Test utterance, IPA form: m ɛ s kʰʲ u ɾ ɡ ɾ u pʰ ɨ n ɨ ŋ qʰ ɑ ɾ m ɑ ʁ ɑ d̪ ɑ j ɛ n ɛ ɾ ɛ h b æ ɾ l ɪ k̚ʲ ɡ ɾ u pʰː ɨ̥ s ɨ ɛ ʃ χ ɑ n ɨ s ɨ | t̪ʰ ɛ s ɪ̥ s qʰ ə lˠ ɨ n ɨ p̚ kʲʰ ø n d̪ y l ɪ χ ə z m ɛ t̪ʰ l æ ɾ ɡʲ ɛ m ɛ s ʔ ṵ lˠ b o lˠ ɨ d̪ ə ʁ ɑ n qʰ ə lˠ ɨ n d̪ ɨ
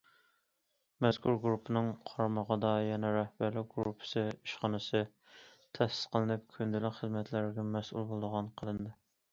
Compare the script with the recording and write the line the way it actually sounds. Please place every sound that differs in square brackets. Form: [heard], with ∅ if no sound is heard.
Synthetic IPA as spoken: m ɛ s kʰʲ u ɾ ɡ ɾ u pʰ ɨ n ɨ ŋ qʰ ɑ ɾ m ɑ ʁ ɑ d̪ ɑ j ɛ n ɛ ɾ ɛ h b æ ɾ l ɪ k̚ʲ ɡ ɾ u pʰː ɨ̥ s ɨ [i] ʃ χ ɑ n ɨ s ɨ | t̪ʰ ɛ s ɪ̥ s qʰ ə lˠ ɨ n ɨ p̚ kʲʰ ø n d̪ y l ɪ χ ə z m ɛ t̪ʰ l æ ɾ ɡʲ ɛ m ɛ s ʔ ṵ lˠ b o lˠ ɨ d̪ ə ʁ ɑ n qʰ ə lˠ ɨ n d̪ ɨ